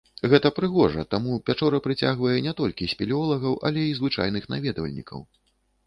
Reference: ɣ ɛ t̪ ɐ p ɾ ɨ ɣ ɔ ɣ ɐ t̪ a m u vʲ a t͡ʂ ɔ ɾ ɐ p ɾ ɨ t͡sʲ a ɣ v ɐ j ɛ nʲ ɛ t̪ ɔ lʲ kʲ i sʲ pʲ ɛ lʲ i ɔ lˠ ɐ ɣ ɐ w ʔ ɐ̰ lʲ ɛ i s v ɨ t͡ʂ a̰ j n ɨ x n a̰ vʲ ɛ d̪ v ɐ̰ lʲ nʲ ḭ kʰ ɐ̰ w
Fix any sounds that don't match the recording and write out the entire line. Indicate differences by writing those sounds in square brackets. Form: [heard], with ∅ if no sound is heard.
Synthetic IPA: ɣ ɛ t̪ ɐ p ɾ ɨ ɣ ɔ [ʐ] ɐ t̪ a m u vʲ a t͡ʂ ɔ ɾ ɐ p ɾ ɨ t͡sʲ a ɣ v ɐ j ɛ nʲ ɛ t̪ ɔ lʲ kʲ i sʲ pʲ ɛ lʲ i ɔ lˠ ɐ ɣ ɐ w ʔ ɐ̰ lʲ ɛ i [z] v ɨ t͡ʂ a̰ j n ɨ x n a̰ vʲ ɛ d̪ v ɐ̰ lʲ nʲ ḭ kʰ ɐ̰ w